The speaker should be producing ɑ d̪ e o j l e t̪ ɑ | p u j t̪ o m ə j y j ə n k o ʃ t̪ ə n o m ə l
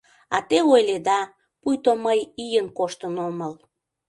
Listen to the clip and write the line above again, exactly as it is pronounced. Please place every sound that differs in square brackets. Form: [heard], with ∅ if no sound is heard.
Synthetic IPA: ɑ [t̪] e o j l e [d̪] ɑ | p u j t̪ o m ə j [i] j ə n k o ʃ t̪ ə n o m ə l

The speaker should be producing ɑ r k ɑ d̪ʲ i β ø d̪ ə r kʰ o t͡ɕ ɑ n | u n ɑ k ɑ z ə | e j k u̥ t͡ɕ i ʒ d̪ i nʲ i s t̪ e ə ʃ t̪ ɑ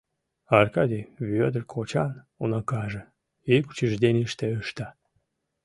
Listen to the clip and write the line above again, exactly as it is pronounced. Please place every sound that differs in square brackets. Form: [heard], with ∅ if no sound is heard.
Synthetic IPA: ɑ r k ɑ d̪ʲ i β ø d̪ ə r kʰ o t͡ɕ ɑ n | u n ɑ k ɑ [ʒ] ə | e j k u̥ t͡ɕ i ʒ d̪ [e] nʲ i [ʃ] t̪ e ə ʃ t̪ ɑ

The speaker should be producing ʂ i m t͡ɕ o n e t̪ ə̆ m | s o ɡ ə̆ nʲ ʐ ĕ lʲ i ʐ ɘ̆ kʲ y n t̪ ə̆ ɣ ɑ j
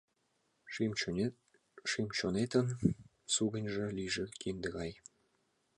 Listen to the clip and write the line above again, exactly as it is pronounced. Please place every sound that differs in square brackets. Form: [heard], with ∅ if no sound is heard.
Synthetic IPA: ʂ i m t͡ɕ o n e t̪ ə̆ [n] | s [u] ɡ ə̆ nʲ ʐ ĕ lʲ i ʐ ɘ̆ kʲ [i] n [d̪] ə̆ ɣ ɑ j

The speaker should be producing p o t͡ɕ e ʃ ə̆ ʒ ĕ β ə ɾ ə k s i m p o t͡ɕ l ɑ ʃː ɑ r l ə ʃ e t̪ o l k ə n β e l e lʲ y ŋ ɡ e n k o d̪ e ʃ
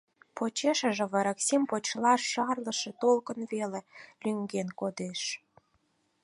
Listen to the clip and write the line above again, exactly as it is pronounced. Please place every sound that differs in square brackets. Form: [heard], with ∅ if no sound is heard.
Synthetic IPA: p o t͡ɕ e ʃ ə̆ ʒ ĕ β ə ɾ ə k s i m p o t͡ɕ l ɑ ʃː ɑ r l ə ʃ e t̪ o l k ə n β e l e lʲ y ŋ ɡ e n k o d̪ e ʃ

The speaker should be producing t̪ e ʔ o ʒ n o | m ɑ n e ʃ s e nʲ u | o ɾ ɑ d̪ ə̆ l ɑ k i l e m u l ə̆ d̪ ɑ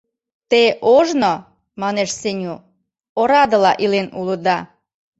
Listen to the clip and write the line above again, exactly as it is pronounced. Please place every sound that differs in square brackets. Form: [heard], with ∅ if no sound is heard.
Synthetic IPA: t̪ e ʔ o ʒ n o | m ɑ n e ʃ s e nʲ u | o ɾ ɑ d̪ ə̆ l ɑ [ʔ] i l e [n] u l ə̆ d̪ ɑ

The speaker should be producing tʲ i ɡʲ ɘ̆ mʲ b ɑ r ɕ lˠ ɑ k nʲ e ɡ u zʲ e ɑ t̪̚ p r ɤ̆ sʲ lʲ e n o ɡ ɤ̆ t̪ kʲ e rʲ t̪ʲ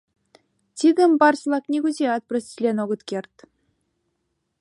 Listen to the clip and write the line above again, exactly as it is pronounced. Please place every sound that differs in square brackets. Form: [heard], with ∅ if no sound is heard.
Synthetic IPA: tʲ i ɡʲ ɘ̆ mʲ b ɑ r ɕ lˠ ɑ k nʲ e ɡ u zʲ e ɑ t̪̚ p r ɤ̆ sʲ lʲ e n o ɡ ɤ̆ t̪ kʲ e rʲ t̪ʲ

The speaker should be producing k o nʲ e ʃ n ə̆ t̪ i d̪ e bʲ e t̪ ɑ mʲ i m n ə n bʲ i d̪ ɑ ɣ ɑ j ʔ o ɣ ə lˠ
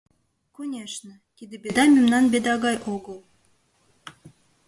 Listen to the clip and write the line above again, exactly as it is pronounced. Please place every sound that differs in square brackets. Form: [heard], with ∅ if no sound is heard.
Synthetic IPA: k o nʲ e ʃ n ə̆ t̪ i d̪ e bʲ e [d̪] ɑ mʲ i m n [ɑ] n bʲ [e] d̪ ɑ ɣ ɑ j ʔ o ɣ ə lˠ

